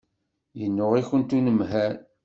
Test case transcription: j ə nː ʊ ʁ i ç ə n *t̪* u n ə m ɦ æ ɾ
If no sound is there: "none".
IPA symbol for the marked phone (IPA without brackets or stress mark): t̪